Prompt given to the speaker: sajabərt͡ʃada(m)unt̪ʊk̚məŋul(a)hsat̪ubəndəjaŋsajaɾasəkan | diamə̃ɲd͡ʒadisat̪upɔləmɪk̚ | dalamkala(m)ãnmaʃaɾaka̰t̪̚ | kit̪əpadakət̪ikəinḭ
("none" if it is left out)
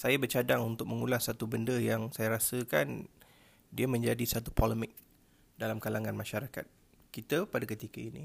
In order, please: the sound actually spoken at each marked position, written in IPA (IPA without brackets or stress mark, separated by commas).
ŋ, a, ŋ